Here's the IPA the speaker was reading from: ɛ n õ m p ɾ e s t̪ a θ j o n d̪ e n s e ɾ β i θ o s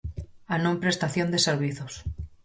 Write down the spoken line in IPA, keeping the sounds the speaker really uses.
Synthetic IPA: a n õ m p ɾ e s t̪ a θ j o n d̪ e s e ɾ β i θ o s